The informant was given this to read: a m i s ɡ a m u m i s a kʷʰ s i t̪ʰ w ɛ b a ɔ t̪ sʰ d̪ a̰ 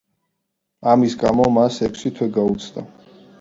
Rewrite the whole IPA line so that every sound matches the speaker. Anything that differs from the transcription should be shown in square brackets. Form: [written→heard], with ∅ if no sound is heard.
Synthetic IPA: a m i s ɡ a m [u→ɔ] m [i→a] s [a→ɛ] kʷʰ s i t̪ʰ w ɛ [b→ɡ] a [ɔ→u] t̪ sʰ d̪ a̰